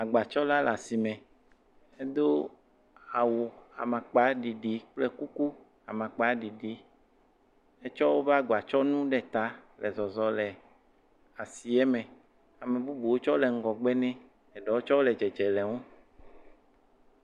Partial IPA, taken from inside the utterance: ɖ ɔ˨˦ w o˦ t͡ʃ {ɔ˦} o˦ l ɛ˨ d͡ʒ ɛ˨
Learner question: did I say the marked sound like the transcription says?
yes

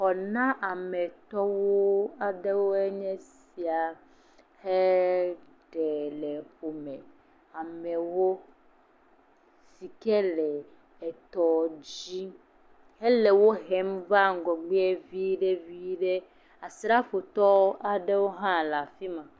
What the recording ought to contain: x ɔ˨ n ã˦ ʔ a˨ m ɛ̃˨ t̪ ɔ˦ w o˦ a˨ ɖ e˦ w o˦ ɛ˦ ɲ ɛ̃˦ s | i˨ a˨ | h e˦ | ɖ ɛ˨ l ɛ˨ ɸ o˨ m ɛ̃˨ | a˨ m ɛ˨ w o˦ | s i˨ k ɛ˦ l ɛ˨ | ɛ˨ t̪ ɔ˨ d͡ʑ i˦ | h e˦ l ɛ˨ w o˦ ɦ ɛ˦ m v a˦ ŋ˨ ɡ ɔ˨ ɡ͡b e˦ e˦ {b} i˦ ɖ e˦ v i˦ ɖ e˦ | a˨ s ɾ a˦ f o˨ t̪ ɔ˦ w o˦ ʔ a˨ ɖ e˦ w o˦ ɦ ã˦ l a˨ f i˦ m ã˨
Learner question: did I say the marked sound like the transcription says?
no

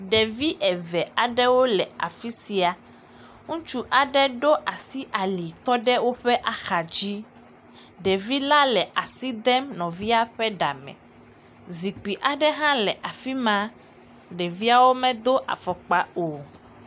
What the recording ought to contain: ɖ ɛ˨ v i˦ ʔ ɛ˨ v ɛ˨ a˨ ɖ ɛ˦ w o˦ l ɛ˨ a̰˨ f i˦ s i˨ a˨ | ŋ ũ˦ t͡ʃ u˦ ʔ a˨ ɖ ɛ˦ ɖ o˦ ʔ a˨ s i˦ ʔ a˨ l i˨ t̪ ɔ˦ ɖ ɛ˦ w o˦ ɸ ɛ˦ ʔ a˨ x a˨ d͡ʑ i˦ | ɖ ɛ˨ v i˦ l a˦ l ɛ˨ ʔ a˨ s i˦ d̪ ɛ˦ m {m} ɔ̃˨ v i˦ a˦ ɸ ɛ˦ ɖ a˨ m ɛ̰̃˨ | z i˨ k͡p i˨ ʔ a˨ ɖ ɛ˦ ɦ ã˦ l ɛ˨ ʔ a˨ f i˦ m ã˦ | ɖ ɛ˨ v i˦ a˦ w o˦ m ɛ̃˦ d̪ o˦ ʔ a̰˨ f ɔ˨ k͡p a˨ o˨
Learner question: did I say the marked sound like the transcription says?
no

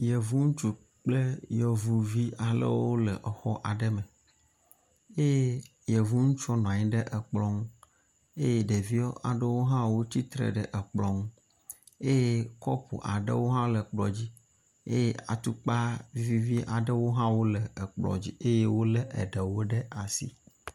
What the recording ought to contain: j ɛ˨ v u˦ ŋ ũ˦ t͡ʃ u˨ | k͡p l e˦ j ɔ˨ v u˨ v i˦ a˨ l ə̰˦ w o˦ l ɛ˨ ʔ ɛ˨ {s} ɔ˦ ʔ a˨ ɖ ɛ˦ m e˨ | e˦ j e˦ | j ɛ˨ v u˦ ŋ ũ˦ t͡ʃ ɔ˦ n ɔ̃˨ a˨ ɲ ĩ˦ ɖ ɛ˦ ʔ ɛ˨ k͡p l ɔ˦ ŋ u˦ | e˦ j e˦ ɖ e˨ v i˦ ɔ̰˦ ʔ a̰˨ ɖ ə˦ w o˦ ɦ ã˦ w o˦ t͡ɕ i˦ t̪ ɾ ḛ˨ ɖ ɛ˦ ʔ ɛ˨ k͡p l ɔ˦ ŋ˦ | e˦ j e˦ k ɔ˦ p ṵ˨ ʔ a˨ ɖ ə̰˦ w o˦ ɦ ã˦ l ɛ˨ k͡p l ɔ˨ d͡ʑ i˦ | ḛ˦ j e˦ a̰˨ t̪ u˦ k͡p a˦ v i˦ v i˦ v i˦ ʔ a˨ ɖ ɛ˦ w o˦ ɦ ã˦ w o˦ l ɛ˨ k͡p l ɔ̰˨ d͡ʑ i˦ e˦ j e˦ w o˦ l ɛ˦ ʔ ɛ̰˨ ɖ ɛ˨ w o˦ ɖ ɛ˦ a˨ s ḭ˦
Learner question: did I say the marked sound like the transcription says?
no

